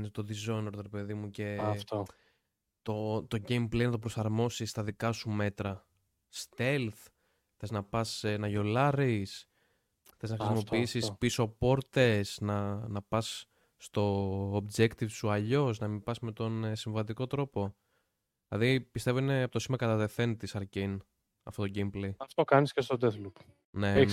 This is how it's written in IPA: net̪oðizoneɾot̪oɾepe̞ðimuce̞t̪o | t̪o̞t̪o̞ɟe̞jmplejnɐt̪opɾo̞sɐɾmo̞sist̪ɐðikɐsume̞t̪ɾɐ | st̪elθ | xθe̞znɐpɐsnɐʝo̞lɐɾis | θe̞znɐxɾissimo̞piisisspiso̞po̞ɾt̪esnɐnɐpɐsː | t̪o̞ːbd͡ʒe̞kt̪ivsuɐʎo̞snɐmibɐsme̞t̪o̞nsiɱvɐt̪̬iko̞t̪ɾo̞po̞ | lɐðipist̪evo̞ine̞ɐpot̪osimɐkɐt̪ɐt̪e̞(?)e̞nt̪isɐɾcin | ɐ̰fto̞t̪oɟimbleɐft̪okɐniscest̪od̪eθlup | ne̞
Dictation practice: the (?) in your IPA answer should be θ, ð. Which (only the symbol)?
θ